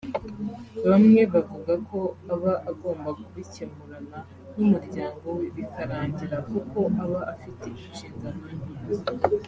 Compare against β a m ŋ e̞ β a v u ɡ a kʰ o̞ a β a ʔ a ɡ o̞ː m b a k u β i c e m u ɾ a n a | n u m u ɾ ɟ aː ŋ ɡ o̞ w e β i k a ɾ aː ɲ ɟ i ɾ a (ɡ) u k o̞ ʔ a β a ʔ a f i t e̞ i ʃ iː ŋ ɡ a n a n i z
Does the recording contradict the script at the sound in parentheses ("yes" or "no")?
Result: yes